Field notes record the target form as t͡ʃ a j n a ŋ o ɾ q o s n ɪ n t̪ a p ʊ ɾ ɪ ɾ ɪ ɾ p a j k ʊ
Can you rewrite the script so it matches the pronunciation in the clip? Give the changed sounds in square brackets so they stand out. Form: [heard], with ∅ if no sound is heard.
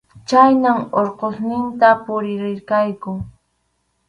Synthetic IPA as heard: t͡ʃ a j n a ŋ o ɾ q o s n ɪ n t̪ a p ʊ ɾ ɪ ɾ ɪ ɾ [k] a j k ʊ

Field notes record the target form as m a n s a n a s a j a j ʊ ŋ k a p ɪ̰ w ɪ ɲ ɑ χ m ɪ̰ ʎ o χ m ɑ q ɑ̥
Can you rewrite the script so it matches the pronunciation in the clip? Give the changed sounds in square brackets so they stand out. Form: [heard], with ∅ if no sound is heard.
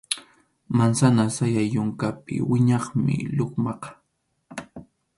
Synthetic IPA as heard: m a n s a n a s a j a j ʊ ŋ k a p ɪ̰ w ɪ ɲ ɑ χ m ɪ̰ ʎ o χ m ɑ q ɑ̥

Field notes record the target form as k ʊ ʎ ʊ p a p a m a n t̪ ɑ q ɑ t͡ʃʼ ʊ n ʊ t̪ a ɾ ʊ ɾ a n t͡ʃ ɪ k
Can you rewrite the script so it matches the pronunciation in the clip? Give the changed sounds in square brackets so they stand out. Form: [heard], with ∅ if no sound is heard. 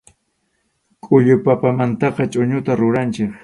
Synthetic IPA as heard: [kʼ] ʊ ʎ ʊ p a p a m a n t̪ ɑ q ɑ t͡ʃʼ ʊ [ɲ] ʊ t̪ a ɾ ʊ ɾ a n t͡ʃ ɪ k

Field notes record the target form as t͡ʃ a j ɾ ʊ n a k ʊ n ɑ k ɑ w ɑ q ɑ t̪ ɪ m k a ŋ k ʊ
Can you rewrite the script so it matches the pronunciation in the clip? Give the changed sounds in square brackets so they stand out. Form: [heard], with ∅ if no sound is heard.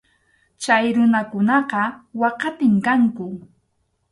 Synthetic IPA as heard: t͡ʃ a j ɾ ʊ n a k ʊ n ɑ [q] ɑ w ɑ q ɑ t̪ ɪ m k a ŋ k ʊ

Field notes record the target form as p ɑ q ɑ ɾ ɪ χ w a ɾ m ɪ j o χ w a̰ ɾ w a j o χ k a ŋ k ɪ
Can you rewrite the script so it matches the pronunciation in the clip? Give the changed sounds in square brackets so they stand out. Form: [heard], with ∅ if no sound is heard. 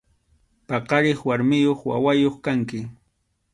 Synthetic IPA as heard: p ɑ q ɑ ɾ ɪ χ w a ɾ m ɪ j o χ w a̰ [∅] w a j o χ k a ŋ k ɪ

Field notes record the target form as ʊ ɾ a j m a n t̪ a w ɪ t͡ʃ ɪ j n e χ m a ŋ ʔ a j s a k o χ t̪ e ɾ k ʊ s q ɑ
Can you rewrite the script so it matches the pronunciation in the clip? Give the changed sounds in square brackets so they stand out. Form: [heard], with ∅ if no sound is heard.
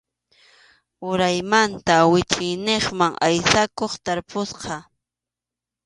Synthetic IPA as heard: ʊ ɾ a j m a n t̪ a w ɪ t͡ʃ ɪ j n e χ m a ŋ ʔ a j s a k o χ t̪ [a] ɾ [p] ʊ s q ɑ

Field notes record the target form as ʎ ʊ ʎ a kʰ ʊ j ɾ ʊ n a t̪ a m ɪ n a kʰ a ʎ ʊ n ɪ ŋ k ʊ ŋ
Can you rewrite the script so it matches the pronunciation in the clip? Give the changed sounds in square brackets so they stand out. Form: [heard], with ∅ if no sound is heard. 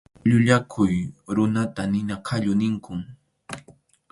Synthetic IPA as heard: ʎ ʊ ʎ a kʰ ʊ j ɾ ʊ n a t̪ a [n] ɪ n a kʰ a ʎ ʊ n ɪ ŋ k ʊ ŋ

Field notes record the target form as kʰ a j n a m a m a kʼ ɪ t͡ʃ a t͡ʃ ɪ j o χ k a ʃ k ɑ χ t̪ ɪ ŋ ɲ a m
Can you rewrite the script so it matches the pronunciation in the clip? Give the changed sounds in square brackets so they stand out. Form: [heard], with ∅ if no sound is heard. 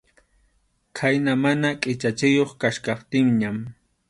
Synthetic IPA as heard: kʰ a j n a m a [n] a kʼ ɪ t͡ʃ a t͡ʃ ɪ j o χ k a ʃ k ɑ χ t̪ ɪ ŋ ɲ a m

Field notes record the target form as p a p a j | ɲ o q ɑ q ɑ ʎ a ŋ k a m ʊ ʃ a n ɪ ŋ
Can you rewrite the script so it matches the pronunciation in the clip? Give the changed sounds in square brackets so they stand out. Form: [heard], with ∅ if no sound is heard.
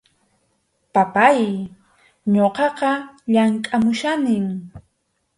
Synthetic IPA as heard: p a p a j | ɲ o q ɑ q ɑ ʎ a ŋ [kʼ] a m ʊ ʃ a n ɪ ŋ

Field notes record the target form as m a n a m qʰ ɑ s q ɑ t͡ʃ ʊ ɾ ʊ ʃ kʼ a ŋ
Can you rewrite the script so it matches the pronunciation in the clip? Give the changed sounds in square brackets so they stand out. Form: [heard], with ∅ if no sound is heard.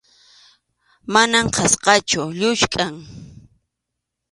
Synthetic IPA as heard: m a n a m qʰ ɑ s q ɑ t͡ʃ ʊ [ʎ] ʊ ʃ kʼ a ŋ

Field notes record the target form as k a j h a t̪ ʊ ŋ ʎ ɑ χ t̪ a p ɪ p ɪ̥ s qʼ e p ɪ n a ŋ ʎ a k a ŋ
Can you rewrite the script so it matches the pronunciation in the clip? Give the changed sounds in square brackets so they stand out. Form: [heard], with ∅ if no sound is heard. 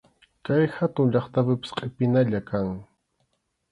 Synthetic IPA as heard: k a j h a t̪ ʊ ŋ ʎ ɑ χ t̪ a p ɪ p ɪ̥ s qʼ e p ɪ n a [∅] ʎ a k a ŋ

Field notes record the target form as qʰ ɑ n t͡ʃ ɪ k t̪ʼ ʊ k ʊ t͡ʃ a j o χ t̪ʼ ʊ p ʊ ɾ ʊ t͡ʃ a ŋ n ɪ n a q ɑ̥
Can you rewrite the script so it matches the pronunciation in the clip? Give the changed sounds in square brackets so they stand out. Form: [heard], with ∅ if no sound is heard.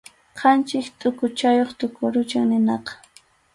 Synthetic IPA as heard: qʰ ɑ n t͡ʃ ɪ k t̪ʼ ʊ k ʊ t͡ʃ a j o χ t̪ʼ ʊ [k] ʊ ɾ ʊ t͡ʃ a ŋ n ɪ n [ɑ] q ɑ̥

